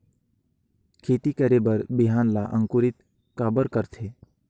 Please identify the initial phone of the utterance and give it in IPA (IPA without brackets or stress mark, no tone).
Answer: kʰ